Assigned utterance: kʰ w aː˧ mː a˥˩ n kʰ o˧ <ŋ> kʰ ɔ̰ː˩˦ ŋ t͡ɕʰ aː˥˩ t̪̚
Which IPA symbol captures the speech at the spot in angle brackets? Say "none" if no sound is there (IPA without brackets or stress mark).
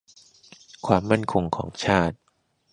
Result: ŋ